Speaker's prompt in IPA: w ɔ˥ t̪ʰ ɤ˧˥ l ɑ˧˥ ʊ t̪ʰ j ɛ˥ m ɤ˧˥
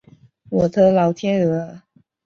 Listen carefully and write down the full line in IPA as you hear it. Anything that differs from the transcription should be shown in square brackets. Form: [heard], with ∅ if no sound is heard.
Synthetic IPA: w [ɔ˨˩] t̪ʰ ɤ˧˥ l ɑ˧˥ ʊ t̪ʰ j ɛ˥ [n] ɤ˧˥